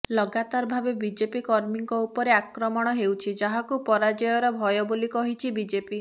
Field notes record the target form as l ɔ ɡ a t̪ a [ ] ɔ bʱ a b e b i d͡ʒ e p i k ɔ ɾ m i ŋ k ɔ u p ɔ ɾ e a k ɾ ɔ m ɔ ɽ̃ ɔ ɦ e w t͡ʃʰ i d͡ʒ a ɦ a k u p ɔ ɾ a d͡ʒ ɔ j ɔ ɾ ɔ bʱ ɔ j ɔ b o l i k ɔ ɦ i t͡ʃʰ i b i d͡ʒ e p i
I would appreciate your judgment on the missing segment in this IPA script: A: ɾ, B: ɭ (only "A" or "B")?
A